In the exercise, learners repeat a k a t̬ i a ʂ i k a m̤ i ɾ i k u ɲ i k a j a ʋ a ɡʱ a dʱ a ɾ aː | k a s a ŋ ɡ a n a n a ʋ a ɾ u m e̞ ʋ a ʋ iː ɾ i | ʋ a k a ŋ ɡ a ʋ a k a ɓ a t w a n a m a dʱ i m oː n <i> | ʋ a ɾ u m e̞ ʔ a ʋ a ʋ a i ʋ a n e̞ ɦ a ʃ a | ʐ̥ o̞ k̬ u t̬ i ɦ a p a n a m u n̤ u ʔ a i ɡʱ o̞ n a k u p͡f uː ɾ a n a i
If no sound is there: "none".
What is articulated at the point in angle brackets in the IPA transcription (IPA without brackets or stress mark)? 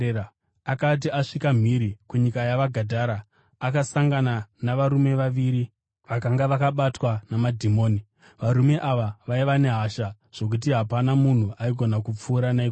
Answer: i